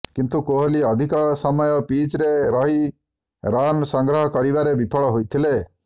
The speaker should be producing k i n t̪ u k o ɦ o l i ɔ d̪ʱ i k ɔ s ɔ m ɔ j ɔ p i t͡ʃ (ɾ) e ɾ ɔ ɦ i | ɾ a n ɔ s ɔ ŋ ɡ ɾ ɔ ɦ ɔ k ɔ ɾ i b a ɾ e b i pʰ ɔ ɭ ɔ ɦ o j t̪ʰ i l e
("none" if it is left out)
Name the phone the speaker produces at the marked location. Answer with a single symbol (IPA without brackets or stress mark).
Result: ɾ